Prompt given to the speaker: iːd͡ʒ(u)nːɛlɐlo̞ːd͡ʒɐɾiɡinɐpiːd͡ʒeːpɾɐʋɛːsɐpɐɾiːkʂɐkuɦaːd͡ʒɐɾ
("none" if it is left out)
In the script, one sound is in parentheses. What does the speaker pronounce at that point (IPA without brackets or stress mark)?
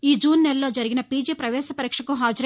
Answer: uː